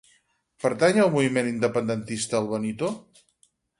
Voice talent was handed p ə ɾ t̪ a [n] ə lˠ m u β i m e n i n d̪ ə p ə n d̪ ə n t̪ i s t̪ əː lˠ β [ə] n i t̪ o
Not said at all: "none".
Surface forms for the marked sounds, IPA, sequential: ɲ, ə

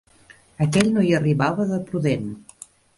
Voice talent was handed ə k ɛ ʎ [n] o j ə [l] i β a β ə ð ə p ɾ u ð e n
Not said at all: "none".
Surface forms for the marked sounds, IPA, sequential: n, r

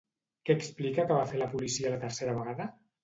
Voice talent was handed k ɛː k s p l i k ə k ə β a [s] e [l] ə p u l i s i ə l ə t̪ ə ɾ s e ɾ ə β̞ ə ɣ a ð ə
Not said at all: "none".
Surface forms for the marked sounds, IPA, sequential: f, l

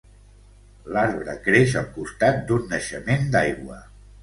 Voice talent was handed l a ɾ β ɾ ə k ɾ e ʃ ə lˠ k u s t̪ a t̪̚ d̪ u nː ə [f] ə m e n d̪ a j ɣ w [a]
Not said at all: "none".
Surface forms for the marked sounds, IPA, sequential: ʃ, ə

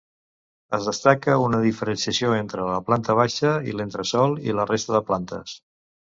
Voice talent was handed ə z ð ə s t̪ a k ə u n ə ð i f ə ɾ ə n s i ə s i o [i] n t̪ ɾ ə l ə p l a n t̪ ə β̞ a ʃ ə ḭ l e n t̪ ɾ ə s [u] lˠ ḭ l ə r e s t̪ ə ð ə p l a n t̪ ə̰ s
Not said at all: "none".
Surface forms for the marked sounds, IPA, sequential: e, ɔ

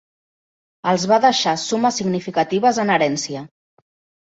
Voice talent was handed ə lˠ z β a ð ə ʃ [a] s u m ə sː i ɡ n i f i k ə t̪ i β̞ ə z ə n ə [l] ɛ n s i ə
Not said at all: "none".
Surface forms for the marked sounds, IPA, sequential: a, ɾ

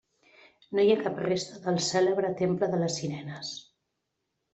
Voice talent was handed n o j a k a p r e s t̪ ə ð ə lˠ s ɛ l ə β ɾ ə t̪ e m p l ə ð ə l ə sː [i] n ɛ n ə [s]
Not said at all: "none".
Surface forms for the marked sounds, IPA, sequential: i, s

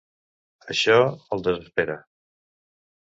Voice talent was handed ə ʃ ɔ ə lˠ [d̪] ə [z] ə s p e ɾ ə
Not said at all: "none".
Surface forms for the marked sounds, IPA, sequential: d̪, z

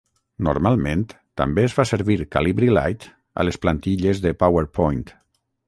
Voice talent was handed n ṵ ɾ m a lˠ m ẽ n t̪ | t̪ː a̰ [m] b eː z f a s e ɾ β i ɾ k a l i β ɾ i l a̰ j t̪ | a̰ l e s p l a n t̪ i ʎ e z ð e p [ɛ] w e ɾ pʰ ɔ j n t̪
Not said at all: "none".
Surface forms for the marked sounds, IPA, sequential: m, a

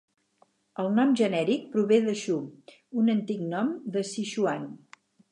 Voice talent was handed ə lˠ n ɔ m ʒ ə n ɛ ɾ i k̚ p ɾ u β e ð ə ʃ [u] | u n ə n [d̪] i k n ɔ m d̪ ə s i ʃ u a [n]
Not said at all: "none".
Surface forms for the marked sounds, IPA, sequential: u, t̪, n

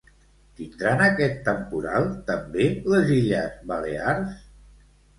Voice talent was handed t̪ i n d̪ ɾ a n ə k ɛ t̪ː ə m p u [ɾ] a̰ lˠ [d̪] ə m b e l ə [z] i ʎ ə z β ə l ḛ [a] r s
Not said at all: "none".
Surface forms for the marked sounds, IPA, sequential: ɾ, t̪, z, a

